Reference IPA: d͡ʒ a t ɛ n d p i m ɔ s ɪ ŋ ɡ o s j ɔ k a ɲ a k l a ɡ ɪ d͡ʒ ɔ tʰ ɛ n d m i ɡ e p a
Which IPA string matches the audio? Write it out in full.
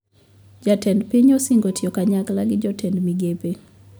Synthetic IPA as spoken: d͡ʒ a t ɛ n d p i ɲ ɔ s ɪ ŋ ɡ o t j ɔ k a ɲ a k l a ɡ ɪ d͡ʒ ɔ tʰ ɛ n d m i ɡ e p e

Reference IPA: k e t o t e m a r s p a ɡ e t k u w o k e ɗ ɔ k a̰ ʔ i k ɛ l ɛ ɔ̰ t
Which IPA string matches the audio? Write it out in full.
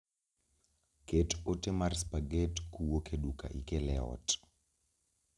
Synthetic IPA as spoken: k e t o t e m a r s p a ɡ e t k u w o k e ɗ u k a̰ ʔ i k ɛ l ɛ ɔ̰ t

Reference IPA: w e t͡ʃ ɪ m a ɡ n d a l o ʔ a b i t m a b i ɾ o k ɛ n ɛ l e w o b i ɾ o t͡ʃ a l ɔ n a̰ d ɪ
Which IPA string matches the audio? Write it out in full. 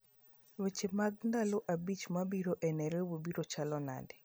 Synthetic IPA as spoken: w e t͡ʃ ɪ m a ɡ n d a l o ʔ a b i t͡ʃ m a b i ɾ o ʔ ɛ n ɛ ɾ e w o b i ɾ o t͡ʃ a l ɔ n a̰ d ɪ

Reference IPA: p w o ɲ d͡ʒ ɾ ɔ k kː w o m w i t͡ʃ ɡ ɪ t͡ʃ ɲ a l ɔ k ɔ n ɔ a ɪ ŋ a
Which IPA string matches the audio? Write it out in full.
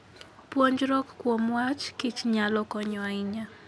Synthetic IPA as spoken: p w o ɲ d͡ʒ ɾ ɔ k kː w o m w a t͡ʃ k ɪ t͡ʃ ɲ a l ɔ k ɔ ɲ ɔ a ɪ ɲ a

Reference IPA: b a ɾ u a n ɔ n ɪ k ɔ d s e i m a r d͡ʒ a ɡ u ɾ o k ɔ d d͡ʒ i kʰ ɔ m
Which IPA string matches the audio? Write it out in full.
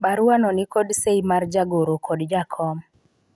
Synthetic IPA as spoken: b a ɾ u a n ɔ n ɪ k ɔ d s e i m a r d͡ʒ a ɡ o ɾ o k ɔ d d͡ʒ a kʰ ɔ m

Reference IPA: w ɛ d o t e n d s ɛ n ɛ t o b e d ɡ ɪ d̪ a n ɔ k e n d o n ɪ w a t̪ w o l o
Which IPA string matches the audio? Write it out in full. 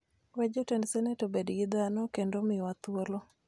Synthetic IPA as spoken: w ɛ d͡ʒ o t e n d s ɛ n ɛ t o b e d ɡ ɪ d̪ a n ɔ k e n d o m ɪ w a t̪ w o l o

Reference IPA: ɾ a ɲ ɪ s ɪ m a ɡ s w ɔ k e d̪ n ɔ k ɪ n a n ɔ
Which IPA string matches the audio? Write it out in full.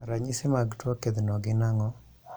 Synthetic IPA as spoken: ɾ a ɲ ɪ s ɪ m a ɡ t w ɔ k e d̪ n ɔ ɡ ɪ n a ŋ ɔ

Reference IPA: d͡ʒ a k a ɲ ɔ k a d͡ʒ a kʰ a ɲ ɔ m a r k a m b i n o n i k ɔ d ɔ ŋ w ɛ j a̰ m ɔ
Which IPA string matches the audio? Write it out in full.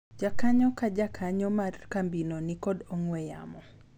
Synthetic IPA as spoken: d͡ʒ a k a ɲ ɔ k a d͡ʒ a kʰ a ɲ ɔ m a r k a m b i n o n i k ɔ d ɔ ŋ w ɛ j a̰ m ɔ

